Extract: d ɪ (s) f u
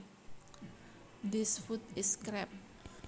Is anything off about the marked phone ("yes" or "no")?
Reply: no